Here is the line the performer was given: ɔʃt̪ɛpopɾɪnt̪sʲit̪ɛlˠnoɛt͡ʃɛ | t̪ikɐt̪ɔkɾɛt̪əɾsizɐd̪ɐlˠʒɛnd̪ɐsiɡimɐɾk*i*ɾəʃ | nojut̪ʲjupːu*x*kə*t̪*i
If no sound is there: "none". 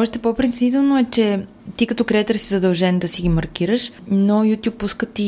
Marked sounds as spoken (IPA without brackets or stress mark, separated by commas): i, s, t̪